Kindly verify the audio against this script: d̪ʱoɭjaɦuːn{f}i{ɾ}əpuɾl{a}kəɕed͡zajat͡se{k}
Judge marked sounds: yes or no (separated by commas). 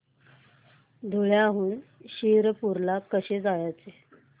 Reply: no, yes, yes, no